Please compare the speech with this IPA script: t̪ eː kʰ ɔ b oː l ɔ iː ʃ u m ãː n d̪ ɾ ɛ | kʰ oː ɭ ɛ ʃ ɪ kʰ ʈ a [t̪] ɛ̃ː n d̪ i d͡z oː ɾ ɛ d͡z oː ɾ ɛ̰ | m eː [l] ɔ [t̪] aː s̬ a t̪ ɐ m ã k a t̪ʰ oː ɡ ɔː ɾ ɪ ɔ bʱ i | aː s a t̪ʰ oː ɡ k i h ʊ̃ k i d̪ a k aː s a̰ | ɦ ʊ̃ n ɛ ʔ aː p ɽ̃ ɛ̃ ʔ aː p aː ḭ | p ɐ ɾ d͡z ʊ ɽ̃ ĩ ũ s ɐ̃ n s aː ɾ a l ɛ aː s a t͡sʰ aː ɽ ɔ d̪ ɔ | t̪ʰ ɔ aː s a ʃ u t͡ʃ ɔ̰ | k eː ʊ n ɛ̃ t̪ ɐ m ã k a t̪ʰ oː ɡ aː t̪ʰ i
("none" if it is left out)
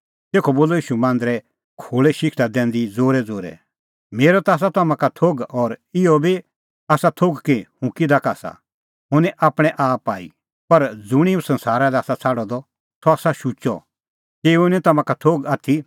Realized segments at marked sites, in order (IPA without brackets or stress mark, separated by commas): d̪, ɾ, t̪